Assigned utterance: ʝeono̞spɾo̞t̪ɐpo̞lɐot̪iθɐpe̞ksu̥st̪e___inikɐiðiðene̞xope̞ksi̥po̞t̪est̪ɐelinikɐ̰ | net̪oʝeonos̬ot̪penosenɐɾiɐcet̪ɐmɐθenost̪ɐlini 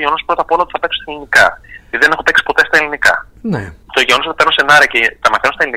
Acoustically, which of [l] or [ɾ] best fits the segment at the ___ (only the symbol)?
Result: l